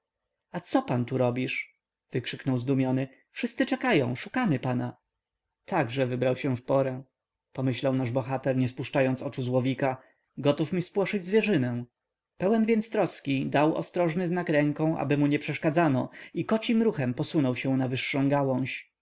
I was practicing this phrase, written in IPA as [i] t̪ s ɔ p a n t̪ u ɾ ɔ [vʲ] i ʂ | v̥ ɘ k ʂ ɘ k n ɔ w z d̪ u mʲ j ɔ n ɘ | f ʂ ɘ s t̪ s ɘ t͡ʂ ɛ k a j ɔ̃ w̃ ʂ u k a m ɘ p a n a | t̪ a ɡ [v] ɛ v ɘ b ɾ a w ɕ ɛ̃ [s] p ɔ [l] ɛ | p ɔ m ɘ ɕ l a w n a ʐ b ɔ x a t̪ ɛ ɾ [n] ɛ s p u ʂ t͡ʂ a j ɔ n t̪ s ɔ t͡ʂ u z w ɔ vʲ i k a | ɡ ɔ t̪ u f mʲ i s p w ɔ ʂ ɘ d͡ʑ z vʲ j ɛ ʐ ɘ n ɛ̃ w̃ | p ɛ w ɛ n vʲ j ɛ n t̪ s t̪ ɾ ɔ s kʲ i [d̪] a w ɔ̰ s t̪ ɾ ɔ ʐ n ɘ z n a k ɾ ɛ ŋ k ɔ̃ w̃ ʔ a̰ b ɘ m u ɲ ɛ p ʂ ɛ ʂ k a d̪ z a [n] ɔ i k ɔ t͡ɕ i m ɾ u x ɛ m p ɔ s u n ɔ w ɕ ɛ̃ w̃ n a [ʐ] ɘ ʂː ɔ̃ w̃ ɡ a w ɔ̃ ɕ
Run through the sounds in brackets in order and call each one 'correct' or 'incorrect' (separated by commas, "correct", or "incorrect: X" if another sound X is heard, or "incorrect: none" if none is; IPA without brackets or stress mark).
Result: incorrect: a, incorrect: bʲ, incorrect: ʐ, incorrect: f, incorrect: ɾ, incorrect: ɲ, correct, correct, incorrect: v